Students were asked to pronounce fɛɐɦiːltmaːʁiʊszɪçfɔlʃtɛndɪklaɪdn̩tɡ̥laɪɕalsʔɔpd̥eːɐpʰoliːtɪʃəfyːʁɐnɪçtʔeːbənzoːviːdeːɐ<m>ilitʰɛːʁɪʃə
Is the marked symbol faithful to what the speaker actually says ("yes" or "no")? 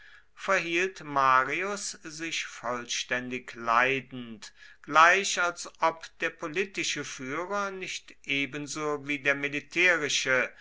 yes